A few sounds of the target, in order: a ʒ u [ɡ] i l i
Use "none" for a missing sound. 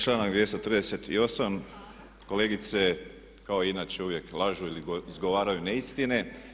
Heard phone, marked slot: none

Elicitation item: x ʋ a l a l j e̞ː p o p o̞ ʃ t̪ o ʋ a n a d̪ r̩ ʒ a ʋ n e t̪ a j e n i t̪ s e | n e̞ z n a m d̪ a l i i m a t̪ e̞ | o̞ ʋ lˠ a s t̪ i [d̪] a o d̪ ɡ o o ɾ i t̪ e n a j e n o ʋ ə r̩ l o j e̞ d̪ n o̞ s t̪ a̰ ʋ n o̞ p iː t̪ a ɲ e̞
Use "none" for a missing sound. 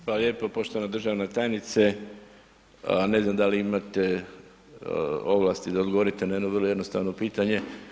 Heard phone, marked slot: d̪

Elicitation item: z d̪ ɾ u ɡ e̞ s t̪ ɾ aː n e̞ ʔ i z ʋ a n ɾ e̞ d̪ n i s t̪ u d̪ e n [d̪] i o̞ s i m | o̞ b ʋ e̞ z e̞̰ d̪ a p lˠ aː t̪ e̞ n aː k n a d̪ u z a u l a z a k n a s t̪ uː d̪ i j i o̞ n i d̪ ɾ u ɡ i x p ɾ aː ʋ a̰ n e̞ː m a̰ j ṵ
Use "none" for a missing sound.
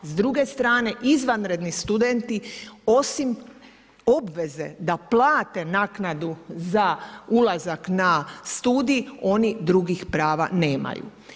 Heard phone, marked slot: t̪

